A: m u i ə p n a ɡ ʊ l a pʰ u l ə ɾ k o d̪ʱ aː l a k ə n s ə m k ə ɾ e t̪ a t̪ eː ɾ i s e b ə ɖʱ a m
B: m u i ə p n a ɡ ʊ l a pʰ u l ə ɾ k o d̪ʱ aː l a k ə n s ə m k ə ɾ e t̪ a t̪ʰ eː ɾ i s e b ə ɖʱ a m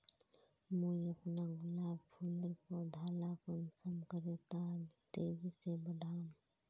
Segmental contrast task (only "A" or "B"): A